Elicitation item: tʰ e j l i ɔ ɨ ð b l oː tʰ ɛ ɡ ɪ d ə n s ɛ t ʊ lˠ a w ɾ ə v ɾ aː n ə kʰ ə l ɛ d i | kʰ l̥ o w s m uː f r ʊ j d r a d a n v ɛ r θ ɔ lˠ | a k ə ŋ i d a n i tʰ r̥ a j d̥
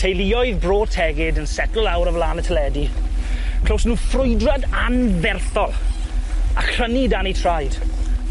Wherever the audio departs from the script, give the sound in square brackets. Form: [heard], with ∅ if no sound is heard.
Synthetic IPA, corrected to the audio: tʰ e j l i ɔ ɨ ð b [r] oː tʰ ɛ ɡ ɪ d ə n s ɛ t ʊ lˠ a w ɾ ə v [l] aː n ə [tʰ] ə l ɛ d i | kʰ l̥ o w s [n] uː f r ʊ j d r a d a n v ɛ r θ ɔ lˠ | a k ə [n] i d a n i tʰ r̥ a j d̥

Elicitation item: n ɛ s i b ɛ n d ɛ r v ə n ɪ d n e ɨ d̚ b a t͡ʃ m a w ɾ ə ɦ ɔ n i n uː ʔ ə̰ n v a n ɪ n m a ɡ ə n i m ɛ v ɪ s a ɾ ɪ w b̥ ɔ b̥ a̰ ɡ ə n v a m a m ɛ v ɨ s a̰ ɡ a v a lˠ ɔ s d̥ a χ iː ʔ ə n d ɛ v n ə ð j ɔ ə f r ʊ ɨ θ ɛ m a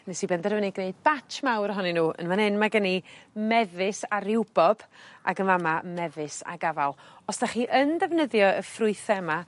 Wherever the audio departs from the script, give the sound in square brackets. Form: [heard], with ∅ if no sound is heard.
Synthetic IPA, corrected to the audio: n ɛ s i b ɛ n d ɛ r v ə n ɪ [ɡ] n e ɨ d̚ b a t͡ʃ m a w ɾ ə ɦ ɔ n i n uː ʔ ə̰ n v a n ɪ n m a ɡ ə n i m ɛ v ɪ s a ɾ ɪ w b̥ ɔ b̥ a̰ ɡ ə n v a m a m ɛ v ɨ s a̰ ɡ a v a lˠ ɔ s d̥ a χ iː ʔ ə n d ɛ v n ə ð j ɔ ə f r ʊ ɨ θ ɛ m a

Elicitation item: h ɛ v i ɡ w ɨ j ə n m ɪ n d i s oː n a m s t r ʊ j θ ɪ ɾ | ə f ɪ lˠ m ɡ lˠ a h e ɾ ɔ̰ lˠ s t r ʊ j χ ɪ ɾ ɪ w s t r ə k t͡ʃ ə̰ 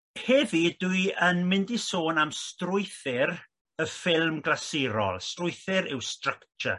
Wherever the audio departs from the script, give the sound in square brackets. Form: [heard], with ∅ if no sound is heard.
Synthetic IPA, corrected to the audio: h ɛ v i [d] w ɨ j ə n m ɪ n d i s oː n a m s t r ʊ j θ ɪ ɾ | ə f ɪ lˠ m ɡ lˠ a [s] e ɾ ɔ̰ lˠ s t r ʊ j [θ] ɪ ɾ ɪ w s t r ə k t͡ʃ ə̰

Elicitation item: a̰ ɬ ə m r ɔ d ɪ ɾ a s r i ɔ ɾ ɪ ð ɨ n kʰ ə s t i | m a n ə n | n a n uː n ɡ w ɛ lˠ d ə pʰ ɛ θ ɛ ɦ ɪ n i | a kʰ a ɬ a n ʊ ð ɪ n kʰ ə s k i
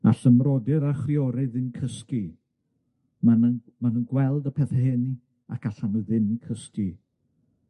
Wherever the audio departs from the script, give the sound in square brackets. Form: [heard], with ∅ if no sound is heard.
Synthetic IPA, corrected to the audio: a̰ ɬ ə m r ɔ d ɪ ɾ a [χ] r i ɔ ɾ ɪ ð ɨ n kʰ ə s [k] i | m a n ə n | [m] a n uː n ɡ w ɛ lˠ d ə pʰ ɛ θ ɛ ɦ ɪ n i | a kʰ a ɬ a n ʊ ð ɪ n kʰ ə s k i

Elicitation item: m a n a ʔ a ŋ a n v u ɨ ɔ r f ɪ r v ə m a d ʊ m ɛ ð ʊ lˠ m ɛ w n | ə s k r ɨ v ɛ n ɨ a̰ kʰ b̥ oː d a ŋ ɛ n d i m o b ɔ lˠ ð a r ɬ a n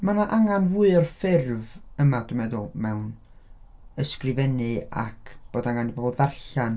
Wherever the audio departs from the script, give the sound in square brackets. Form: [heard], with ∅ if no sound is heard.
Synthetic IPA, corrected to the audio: m a n a ʔ a ŋ a n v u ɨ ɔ r f ɪ r v ə m a d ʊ m ɛ ð ʊ lˠ m ɛ w n | ə s k r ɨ v ɛ n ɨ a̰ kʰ b̥ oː d a ŋ [a] n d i [b] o b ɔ lˠ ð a r ɬ a n

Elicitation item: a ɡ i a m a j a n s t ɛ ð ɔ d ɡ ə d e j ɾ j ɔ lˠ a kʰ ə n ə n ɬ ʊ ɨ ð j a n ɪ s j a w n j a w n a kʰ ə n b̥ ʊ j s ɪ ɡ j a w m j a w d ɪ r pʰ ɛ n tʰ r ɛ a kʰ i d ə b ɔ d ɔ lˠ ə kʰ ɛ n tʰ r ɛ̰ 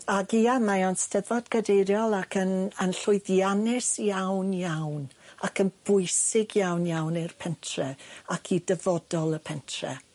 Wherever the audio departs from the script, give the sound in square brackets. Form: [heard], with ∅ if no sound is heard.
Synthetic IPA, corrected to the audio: a ɡ i a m a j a n s t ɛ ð ɔ d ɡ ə d e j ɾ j ɔ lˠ a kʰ ə n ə n ɬ ʊ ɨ ð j a n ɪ s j a w n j a w n a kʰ ə n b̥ ʊ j s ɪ ɡ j a w [n] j a w [n] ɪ r pʰ ɛ n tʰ r ɛ a kʰ i d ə [v] ɔ d ɔ lˠ ə [pʰ] ɛ n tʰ r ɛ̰

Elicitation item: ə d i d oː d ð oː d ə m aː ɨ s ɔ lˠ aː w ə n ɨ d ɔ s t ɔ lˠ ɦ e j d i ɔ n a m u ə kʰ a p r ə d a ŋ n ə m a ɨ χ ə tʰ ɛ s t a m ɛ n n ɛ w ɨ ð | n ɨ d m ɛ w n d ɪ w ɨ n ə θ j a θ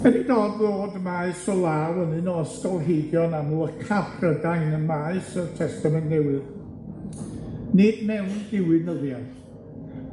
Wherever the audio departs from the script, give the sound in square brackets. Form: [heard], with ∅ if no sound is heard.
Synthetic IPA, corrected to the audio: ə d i d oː d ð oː d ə m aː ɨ s ɔ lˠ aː w ə n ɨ [n] ɔ s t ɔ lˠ ɦ e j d [j] ɔ n a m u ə kʰ a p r ə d a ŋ n ə m a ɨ [s] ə tʰ ɛ s t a m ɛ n n ɛ w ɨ ð | n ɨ d m ɛ w n d ɪ w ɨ n ə [ð] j a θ

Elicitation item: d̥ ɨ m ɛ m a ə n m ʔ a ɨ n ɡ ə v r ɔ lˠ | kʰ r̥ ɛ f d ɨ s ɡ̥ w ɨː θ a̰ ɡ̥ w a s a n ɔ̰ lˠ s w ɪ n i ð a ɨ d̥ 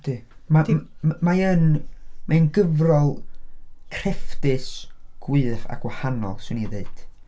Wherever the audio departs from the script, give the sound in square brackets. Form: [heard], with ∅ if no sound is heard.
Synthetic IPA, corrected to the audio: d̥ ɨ m [a] m a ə n m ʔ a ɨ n ɡ ə v r ɔ lˠ | kʰ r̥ ɛ f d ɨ s ɡ̥ w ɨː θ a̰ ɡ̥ w a [h] a n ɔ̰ lˠ s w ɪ n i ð [e] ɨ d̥

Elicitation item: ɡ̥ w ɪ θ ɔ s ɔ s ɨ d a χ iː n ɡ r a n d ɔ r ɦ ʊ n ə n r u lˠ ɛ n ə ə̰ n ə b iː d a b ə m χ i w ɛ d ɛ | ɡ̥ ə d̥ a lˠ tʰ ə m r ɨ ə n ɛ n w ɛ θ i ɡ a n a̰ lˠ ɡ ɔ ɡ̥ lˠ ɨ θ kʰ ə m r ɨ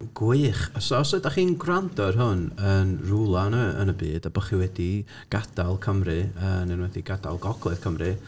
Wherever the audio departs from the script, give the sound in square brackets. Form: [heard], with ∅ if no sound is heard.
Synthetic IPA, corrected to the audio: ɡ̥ w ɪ [χ] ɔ s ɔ s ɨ d a χ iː n ɡ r a n d ɔ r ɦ ʊ n ə n r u lˠ [a] n ə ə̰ n ə b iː d a b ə [∅] χ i w ɛ d [i] | ɡ̥ [a] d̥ a lˠ [kʰ] ə m r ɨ ə n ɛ n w ɛ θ i ɡ a [d] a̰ lˠ ɡ ɔ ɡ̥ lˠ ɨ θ kʰ ə m r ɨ

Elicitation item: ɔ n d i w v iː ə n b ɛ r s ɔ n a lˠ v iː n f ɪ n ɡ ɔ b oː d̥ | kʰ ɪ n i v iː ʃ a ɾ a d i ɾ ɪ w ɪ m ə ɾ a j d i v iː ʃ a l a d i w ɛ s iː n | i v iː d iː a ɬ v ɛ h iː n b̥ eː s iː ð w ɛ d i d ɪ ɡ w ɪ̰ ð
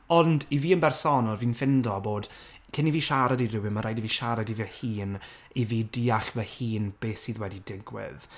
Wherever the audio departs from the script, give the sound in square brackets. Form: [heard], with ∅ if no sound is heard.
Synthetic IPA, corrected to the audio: ɔ n d i [∅] v iː ə n b ɛ r s ɔ n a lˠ v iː n f ɪ n [d] ɔ b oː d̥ | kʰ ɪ n i v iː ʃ a ɾ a d i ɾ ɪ w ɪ m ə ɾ a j d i v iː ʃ a [ɾ] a d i [v] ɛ [h] iː n | i v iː d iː a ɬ v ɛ h iː n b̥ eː s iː ð w ɛ d i d ɪ ɡ w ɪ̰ ð

